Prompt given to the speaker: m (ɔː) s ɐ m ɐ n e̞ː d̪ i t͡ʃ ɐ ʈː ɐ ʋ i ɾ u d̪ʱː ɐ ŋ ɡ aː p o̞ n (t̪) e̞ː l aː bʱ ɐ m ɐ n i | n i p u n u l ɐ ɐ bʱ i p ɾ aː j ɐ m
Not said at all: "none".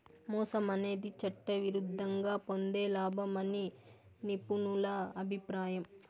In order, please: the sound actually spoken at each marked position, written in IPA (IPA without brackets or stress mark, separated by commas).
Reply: ɔː, d̪